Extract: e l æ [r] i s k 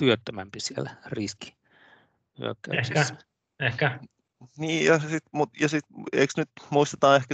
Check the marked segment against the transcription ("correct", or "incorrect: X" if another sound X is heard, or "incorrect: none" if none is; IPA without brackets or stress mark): correct